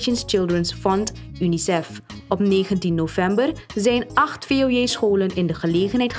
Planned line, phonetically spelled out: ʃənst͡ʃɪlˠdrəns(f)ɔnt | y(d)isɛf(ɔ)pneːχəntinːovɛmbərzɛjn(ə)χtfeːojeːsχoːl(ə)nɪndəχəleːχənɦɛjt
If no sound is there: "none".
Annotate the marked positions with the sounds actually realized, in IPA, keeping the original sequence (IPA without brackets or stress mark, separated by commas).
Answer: f, n, ɔ, ɑ, ə